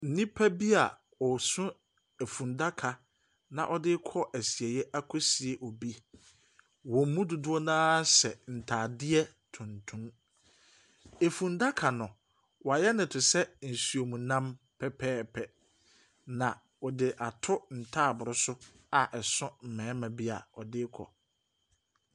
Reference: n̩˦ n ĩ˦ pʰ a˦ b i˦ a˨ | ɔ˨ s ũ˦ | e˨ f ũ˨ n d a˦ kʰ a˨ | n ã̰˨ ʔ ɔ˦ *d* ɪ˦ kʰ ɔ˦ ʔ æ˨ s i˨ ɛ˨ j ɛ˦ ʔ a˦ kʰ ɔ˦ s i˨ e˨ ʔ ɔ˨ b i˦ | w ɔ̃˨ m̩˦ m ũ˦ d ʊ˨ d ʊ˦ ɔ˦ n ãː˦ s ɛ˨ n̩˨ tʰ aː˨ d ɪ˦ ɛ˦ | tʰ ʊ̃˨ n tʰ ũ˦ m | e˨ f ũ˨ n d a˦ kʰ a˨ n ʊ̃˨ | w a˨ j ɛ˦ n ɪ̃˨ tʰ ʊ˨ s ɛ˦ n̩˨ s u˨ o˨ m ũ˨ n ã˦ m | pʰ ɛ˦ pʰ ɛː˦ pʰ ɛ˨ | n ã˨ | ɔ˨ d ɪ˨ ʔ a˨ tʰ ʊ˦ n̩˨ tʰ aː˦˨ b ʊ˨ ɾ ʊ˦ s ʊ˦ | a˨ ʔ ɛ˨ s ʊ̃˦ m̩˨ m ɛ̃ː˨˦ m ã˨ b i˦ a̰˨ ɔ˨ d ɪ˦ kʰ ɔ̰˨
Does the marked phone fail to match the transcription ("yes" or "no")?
no